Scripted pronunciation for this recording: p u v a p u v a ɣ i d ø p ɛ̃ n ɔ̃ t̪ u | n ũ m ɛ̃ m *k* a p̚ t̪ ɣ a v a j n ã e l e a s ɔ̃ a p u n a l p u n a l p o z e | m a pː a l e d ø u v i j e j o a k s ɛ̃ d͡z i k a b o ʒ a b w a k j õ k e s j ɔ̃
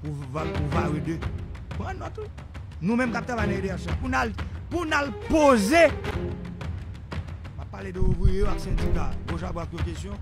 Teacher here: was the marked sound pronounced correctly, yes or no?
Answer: yes